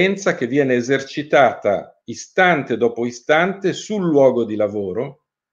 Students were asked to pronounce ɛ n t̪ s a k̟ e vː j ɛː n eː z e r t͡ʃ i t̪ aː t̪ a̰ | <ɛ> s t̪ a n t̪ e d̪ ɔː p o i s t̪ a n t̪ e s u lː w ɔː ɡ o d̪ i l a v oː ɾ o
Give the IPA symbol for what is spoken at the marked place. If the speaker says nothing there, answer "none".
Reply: i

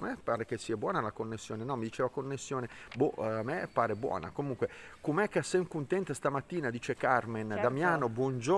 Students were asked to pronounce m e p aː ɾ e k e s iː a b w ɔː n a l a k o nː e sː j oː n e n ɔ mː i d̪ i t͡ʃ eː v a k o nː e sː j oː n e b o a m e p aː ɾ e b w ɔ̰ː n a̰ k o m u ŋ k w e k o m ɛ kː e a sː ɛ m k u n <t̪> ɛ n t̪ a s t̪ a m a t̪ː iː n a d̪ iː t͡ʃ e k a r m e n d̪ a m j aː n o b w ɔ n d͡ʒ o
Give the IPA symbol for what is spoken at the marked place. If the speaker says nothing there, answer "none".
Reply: t̪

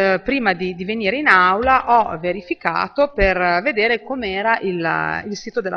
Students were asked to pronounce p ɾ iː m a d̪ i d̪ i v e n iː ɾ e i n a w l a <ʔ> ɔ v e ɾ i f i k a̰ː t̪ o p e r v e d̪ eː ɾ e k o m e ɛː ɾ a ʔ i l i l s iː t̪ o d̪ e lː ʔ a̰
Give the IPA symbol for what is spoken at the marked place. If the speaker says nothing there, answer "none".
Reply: ʔ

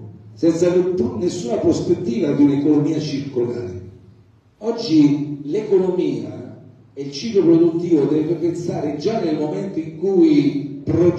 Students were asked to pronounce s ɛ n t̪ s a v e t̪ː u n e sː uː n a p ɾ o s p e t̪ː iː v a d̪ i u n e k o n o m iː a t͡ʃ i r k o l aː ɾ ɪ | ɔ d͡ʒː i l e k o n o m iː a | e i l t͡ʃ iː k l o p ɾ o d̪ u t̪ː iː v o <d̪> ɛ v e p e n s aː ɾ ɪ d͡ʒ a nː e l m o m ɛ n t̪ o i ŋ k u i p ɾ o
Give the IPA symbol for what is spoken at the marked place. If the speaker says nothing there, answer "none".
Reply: d̪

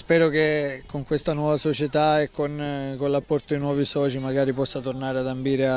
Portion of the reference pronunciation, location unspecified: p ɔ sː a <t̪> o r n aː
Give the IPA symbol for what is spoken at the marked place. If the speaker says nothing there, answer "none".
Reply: t̪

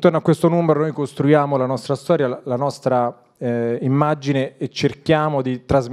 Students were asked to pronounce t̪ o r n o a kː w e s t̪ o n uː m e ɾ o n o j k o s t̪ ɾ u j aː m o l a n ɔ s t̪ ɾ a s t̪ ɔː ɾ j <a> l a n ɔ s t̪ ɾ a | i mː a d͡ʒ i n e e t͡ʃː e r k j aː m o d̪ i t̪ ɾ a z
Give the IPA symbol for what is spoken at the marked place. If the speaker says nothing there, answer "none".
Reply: a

